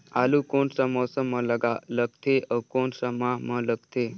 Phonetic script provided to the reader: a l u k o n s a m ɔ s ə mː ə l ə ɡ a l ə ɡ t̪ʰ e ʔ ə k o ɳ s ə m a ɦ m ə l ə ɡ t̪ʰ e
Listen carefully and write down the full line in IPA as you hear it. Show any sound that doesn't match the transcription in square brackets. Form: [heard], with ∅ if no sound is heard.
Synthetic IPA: a l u k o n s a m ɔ s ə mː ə l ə ɡ a l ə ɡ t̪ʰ e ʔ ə k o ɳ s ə m a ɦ m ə l ə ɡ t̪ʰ e